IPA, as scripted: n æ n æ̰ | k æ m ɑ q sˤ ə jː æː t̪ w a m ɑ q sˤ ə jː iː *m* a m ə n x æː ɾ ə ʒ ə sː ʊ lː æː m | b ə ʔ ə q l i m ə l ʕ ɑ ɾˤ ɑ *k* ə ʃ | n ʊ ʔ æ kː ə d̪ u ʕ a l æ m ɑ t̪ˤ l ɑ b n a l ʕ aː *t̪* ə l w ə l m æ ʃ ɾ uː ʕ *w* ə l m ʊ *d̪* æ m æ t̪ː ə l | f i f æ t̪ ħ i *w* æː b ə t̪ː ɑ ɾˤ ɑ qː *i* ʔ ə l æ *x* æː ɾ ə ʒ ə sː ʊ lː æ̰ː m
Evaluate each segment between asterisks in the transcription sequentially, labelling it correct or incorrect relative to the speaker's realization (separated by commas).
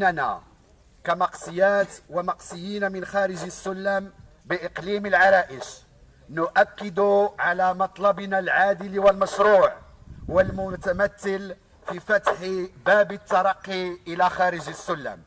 incorrect, incorrect, incorrect, correct, incorrect, incorrect, correct, correct